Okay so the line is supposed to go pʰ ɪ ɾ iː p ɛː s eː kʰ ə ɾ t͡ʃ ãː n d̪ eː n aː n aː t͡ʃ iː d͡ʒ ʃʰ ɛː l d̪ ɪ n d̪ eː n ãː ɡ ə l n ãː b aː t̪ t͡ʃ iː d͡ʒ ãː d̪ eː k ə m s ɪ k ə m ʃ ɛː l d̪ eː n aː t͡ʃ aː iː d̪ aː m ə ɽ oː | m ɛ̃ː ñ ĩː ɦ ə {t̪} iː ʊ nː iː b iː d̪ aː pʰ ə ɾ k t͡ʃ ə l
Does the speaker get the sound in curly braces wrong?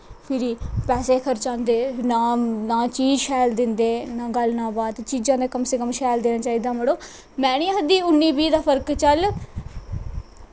yes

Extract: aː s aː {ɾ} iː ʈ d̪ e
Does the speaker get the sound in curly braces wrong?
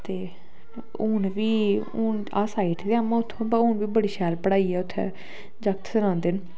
yes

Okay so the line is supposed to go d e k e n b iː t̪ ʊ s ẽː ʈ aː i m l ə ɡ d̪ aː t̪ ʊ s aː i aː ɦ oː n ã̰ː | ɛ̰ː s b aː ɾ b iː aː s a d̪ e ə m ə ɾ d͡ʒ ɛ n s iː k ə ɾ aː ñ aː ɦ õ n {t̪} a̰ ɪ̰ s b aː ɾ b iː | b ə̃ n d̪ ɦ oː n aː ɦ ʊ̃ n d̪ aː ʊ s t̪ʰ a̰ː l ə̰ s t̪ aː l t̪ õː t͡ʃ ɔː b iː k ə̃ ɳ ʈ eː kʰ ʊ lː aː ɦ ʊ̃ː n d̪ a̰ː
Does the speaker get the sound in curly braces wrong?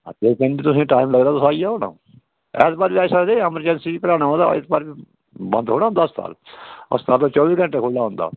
yes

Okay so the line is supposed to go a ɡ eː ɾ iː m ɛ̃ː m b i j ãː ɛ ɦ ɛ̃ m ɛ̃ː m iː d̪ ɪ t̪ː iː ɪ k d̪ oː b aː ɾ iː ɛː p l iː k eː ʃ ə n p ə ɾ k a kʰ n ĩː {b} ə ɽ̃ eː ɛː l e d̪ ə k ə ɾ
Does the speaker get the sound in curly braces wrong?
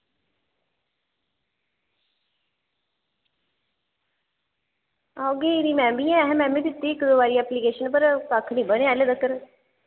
no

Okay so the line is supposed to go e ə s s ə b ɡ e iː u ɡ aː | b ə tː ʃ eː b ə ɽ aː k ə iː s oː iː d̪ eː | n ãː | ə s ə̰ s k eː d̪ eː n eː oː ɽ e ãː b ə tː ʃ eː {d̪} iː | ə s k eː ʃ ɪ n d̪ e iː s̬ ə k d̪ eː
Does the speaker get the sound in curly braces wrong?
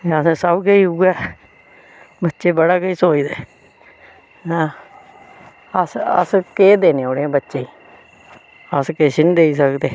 yes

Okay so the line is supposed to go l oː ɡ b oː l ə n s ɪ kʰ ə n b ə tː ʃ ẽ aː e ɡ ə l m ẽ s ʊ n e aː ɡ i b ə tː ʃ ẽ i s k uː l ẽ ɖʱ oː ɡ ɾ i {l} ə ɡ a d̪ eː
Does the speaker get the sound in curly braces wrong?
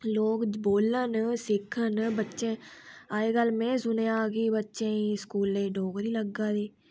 no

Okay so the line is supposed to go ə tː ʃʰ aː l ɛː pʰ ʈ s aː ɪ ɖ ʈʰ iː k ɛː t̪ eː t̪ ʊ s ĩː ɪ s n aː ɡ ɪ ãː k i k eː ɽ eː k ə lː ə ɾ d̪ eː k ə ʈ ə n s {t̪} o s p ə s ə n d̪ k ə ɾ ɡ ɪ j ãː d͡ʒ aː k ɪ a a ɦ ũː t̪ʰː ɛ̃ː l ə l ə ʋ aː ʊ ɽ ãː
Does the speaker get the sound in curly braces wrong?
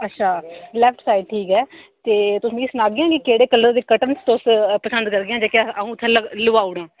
no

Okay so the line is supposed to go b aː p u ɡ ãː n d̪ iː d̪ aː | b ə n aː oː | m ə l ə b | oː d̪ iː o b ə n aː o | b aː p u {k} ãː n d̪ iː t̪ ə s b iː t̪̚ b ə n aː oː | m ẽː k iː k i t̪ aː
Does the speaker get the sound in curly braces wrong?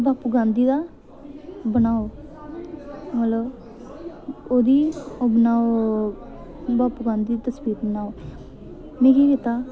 yes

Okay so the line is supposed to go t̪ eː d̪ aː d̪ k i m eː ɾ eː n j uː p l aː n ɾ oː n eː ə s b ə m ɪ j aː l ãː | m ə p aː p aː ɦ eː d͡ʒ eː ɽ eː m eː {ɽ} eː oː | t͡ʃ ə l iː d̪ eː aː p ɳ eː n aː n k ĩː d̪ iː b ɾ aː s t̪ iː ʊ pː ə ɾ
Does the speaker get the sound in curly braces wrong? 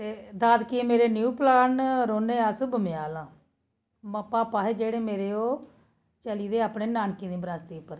yes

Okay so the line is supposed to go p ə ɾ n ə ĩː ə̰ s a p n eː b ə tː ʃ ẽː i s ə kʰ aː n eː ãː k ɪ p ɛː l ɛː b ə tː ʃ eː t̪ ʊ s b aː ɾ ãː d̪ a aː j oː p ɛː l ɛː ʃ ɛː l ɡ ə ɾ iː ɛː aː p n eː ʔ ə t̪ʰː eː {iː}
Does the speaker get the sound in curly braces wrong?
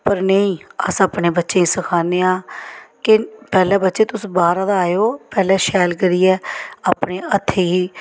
no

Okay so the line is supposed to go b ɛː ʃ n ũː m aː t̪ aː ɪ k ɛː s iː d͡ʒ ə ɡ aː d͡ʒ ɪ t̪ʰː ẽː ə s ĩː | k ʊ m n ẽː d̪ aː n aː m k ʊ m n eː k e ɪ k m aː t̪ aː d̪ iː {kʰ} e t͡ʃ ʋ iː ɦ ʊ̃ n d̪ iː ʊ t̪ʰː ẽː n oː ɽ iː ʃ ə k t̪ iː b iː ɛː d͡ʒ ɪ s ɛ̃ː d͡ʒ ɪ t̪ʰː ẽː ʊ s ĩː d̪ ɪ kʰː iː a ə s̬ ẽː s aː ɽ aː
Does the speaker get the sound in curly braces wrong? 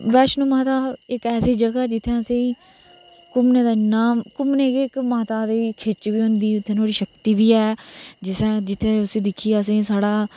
no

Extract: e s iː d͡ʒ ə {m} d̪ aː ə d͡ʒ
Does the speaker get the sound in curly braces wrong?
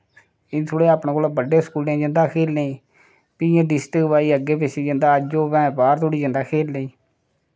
yes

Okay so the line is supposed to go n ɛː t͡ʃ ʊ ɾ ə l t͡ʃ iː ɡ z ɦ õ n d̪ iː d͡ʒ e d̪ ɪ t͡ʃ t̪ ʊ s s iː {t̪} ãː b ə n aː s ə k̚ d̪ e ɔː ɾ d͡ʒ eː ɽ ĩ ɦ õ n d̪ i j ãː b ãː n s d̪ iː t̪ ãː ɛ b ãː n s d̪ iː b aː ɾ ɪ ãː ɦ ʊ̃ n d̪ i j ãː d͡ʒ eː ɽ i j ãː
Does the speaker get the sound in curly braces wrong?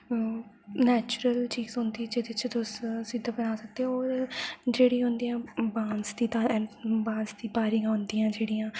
yes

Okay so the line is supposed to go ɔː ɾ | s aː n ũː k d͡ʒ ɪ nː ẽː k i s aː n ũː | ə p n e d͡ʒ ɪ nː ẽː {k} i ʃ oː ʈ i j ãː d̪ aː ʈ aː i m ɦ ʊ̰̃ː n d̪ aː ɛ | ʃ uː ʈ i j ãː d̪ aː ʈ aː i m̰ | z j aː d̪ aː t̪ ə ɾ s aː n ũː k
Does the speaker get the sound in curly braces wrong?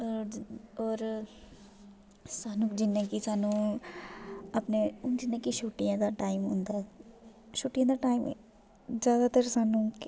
no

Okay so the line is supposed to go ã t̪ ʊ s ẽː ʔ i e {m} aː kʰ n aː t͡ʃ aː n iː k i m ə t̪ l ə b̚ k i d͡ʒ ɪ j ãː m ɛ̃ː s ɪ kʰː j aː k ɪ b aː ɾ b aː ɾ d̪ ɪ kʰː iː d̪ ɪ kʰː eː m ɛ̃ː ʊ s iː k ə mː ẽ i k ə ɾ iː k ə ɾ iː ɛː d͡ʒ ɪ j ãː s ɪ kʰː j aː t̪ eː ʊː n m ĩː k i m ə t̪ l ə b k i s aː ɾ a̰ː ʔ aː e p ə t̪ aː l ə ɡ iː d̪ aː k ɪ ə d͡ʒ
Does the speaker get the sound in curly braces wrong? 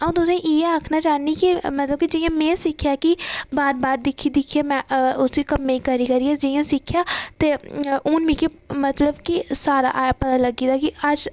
yes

